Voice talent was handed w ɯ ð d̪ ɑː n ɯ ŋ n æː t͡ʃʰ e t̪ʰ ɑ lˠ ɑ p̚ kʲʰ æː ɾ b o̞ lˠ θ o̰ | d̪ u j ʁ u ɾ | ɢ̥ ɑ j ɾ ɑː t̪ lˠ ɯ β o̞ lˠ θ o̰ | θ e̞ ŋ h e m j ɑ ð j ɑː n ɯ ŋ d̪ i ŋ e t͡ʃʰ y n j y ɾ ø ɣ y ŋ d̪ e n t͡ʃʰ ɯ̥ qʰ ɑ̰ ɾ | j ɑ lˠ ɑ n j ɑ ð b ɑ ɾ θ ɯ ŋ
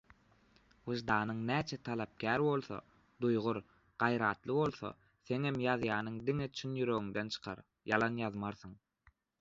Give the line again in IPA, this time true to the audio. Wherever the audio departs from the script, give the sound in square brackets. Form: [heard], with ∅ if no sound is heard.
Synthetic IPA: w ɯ [ʒ] d̪ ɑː n ɯ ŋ n æː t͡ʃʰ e t̪ʰ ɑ lˠ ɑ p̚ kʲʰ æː ɾ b o̞ lˠ θ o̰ | d̪ u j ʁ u ɾ | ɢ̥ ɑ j ɾ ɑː t̪ lˠ ɯ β o̞ lˠ θ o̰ | θ e̞ ŋ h e m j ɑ ð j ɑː n ɯ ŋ d̪ i ŋ e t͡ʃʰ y n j y ɾ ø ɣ y ŋ d̪ e n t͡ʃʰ ɯ̥ qʰ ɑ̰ ɾ | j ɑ lˠ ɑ n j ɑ ð [m] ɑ ɾ θ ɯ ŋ